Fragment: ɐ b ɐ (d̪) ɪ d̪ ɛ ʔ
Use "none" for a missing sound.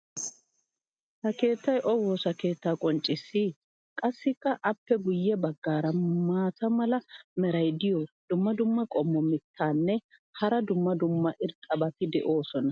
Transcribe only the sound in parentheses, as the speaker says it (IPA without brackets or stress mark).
t̪